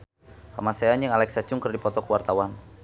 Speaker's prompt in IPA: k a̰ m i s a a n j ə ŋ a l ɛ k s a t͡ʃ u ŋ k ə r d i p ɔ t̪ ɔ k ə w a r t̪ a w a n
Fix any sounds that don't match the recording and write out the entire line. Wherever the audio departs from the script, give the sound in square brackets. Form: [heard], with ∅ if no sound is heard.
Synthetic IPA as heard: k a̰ m [a] s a a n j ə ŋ a l ɛ k s a t͡ʃ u ŋ k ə r d i p ɔ t̪ ɔ k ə w a r t̪ a w a n